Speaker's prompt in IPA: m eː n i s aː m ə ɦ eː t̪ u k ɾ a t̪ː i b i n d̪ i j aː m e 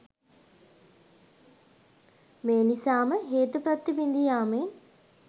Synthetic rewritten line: m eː n i s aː m ə ɦ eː t̪ u p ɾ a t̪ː i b i n d̪ i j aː m e